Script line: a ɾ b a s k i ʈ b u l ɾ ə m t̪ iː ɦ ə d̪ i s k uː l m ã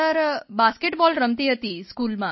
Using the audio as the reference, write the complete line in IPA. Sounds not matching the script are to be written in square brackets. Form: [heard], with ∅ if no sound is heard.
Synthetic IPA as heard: [ə] ɾ b a s k [e] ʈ b [ɔ] l ɾ ə m t̪ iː ɦ ə [t̪] i s k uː l m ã